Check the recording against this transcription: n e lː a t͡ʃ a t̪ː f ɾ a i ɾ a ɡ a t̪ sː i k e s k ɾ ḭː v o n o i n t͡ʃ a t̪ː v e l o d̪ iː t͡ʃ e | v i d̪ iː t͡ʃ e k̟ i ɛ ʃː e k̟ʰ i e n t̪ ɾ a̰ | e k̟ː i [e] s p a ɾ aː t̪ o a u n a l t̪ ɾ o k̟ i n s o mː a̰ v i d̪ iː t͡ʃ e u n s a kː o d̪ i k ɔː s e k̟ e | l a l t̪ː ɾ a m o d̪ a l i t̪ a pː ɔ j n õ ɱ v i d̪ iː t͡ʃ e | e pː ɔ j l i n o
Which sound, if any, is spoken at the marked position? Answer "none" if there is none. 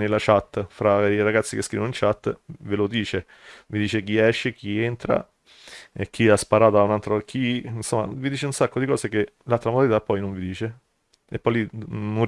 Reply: a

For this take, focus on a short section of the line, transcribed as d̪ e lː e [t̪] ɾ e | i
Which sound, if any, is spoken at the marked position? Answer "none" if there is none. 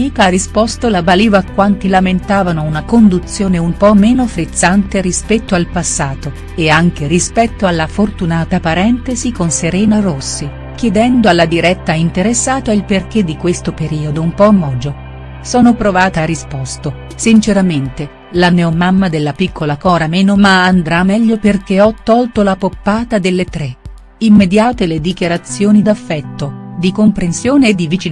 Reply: t̪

